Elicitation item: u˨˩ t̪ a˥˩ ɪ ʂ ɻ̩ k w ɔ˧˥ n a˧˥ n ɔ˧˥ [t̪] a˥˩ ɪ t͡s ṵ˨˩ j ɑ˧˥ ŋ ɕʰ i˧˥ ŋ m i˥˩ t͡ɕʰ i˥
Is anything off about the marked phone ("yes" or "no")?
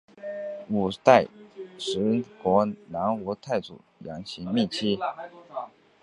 yes